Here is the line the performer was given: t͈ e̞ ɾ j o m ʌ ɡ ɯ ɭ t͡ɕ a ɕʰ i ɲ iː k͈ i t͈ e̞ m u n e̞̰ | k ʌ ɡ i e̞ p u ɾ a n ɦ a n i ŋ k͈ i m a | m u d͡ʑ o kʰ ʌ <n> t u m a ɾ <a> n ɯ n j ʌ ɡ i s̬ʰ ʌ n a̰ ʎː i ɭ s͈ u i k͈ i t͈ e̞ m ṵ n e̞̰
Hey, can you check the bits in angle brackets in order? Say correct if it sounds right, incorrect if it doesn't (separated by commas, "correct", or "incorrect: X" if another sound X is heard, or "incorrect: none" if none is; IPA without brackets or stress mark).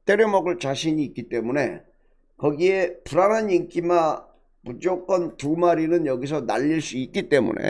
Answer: correct, incorrect: i